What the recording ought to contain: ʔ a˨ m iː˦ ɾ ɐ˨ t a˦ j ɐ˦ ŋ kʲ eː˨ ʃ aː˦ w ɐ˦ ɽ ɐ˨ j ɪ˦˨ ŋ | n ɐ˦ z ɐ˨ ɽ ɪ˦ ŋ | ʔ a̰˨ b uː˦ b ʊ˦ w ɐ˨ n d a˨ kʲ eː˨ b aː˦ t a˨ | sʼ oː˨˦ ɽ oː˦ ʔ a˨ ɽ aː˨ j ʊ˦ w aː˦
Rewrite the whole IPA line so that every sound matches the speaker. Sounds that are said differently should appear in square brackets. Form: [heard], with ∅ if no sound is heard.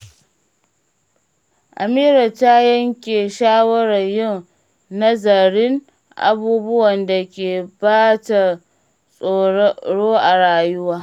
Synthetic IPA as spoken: ʔ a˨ m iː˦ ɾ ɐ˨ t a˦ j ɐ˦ ŋ kʲ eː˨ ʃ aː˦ w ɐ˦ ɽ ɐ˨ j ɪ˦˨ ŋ | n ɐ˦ z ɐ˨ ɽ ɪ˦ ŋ | ʔ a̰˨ b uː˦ b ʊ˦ w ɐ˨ n d a˨ kʲ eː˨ b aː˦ t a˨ | sʼ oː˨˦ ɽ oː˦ ʔ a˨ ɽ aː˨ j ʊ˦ w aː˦